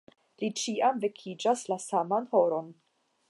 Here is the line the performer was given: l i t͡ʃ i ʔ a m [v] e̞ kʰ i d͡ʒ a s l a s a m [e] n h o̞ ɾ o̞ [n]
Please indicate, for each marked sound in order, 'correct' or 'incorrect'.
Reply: correct, incorrect, correct

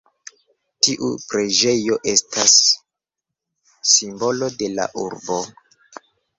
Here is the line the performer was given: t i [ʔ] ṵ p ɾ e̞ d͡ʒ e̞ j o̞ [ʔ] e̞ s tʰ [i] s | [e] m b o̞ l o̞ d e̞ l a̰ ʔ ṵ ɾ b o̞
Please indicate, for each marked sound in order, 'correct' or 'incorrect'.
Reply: correct, correct, incorrect, incorrect

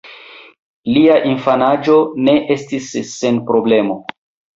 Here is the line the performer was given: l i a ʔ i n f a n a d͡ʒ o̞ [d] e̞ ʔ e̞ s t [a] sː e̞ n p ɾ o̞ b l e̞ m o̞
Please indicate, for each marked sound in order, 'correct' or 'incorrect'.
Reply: incorrect, incorrect

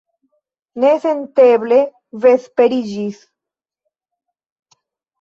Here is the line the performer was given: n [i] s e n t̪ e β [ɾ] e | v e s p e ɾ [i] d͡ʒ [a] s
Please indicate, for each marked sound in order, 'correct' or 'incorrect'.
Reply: incorrect, incorrect, correct, incorrect

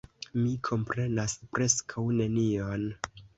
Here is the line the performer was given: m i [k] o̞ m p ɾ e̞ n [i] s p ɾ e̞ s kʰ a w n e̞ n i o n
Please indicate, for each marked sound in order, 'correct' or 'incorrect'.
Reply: incorrect, incorrect

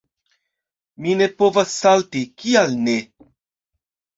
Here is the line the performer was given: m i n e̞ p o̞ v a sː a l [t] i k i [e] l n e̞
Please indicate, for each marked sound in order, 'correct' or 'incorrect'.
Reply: correct, incorrect

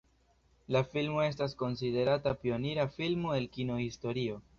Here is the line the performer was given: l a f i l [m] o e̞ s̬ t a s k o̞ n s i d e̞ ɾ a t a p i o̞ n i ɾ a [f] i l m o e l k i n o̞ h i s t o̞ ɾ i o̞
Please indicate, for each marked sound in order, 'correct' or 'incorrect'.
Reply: correct, correct

